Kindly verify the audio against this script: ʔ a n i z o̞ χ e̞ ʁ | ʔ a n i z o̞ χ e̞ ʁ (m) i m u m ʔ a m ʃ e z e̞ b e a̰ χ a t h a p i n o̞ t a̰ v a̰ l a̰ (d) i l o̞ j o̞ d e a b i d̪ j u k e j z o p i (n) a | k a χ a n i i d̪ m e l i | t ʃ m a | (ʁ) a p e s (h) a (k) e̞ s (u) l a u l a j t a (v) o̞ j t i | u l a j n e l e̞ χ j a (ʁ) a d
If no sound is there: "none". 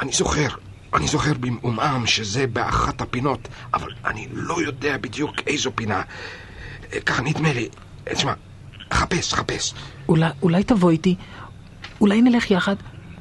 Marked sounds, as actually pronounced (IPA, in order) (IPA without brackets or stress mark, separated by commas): b, n, n, χ, χ, p, u, v, χ